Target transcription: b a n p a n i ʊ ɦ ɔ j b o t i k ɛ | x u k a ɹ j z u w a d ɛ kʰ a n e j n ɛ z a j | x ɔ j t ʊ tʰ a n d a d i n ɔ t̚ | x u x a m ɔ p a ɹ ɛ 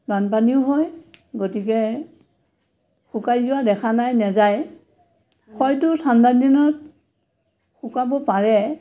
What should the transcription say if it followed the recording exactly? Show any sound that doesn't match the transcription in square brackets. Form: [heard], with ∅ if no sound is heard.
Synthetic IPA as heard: b a n p a n i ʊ ɦ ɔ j [ɡ] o t i k ɛ | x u k a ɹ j z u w a d ɛ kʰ a n [a] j n ɛ z a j | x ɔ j t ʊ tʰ a n d a d i n ɔ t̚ | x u [k] a [b] ɔ p a ɹ ɛ